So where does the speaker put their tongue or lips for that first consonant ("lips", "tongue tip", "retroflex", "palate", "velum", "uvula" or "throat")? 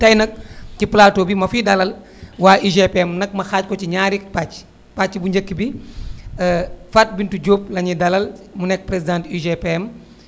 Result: tongue tip